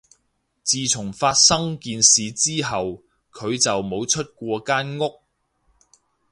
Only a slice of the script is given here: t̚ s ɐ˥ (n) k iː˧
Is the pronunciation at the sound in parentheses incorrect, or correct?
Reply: incorrect